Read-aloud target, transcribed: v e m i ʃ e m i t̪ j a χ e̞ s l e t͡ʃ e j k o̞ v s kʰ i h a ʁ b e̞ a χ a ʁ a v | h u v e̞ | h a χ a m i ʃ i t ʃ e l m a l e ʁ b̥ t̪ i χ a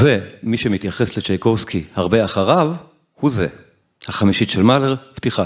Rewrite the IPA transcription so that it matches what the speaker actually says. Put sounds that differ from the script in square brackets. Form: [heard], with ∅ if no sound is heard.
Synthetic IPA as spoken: v e m i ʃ e m i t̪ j a χ e̞ s l e t͡ʃ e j k o̞ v s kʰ i h a ʁ b e̞ a χ a ʁ a v | h u [z] e̞ | h a χ a m i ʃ i t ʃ e l m a l e ʁ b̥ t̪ i χ a